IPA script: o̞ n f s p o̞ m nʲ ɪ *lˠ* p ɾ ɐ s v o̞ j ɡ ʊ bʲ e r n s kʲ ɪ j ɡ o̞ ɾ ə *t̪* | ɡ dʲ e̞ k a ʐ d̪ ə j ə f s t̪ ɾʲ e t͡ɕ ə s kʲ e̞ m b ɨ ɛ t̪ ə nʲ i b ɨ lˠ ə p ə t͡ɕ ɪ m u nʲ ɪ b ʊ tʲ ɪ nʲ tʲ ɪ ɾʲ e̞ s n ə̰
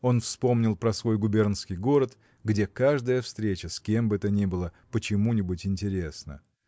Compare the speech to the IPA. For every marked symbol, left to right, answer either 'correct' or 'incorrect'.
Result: correct, correct

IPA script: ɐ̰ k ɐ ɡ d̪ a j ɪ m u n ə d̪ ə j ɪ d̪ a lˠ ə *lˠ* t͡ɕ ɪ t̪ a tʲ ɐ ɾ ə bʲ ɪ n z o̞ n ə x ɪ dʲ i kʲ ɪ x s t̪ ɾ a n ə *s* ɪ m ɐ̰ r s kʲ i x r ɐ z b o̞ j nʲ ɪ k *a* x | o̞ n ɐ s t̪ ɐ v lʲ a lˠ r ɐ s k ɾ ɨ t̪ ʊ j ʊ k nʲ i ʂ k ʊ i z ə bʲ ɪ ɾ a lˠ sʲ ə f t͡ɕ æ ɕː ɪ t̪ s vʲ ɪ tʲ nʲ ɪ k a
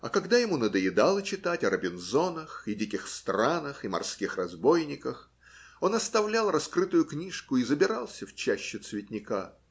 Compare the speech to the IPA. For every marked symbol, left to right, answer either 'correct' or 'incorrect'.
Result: incorrect, incorrect, incorrect

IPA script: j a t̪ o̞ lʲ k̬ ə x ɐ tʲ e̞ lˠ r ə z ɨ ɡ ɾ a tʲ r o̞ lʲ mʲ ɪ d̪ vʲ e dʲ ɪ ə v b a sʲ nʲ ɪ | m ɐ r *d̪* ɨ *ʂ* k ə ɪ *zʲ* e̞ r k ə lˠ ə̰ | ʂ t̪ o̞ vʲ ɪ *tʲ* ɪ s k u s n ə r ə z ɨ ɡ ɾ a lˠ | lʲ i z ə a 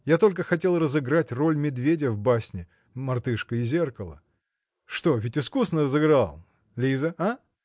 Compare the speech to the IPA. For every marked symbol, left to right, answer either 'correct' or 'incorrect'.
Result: incorrect, correct, correct, correct

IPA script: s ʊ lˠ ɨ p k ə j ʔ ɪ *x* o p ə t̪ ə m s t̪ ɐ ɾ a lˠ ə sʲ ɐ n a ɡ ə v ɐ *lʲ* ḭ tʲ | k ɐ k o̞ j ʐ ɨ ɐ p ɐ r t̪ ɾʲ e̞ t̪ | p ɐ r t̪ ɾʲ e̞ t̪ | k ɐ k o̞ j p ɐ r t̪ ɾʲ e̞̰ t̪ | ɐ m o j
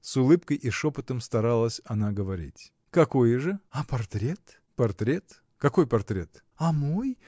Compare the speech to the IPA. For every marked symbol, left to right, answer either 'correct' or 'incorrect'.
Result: incorrect, incorrect

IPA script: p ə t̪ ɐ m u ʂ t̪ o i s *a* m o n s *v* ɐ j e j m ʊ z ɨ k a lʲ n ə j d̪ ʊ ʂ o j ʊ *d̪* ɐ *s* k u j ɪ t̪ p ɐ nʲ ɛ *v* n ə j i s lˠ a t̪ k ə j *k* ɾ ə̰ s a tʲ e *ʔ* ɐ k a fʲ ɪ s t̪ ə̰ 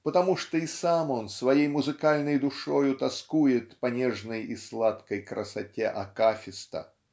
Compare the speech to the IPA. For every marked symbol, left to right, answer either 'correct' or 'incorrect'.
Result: correct, correct, incorrect, correct, incorrect, correct, correct

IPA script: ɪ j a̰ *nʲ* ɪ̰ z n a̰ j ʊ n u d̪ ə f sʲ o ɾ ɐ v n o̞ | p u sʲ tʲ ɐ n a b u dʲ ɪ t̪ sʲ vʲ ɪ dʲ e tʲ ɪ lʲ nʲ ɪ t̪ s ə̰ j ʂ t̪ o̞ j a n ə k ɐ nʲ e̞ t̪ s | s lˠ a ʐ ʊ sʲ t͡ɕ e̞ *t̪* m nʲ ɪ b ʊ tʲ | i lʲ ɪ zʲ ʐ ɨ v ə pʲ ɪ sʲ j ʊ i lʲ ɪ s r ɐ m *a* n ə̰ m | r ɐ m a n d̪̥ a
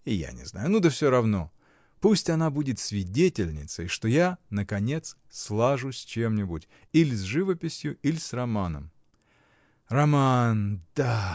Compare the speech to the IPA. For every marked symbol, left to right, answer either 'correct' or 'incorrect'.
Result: correct, incorrect, correct

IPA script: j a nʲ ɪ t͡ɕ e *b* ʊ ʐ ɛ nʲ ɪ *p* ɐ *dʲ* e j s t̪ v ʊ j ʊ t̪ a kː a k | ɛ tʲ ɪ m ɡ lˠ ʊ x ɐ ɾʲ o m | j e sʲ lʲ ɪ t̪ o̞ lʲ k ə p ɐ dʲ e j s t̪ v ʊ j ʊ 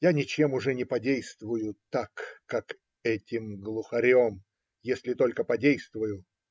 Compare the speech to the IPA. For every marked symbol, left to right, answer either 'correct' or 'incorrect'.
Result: incorrect, correct, correct

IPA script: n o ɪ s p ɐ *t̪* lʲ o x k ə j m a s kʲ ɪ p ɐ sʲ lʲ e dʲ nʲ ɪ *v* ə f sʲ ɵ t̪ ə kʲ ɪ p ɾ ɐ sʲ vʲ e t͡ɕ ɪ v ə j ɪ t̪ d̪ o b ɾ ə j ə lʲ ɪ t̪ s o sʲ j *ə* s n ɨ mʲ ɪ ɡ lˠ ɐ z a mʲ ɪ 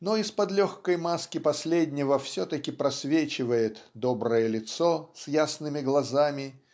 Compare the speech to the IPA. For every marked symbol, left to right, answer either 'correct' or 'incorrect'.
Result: incorrect, correct, incorrect

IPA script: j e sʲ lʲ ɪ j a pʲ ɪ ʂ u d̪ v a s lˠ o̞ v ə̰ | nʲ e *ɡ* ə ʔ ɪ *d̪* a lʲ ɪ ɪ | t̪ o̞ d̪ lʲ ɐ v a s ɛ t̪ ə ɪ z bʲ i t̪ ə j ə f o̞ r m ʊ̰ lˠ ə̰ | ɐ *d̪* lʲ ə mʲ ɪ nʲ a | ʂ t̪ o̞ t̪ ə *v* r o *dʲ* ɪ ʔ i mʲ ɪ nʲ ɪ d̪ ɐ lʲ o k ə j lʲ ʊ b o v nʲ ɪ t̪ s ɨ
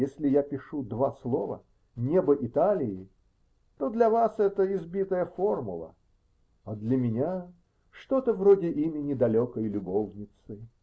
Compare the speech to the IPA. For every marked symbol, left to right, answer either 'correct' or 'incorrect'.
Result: incorrect, incorrect, correct, correct, correct

